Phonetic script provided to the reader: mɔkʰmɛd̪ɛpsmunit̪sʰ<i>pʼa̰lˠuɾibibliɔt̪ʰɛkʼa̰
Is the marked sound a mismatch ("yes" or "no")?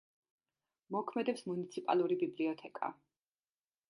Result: no